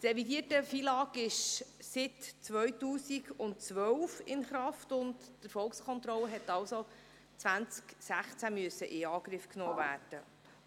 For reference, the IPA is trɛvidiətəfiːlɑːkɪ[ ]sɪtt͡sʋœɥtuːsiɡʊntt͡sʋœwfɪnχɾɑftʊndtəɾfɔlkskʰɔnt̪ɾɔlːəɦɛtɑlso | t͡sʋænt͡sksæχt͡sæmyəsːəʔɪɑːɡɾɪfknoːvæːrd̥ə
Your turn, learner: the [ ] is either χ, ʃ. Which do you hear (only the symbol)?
ʃ